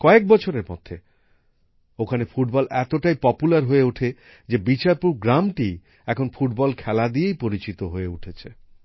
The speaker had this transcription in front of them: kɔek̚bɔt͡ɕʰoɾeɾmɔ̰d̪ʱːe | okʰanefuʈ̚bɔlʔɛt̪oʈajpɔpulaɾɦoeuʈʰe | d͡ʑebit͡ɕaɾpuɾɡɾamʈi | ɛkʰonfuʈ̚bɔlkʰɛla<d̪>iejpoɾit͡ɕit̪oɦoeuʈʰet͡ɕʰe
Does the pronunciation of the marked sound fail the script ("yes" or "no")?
no